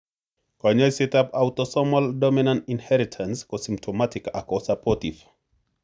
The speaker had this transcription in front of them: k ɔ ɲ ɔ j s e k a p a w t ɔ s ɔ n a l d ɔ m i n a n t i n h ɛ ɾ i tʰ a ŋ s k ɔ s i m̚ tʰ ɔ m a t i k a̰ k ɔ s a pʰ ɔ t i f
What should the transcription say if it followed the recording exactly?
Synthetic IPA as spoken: k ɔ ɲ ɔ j s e t a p a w t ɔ s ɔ m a l d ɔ m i n a n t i n h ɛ ɾ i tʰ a n s k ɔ s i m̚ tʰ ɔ m a t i k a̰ k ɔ s a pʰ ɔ t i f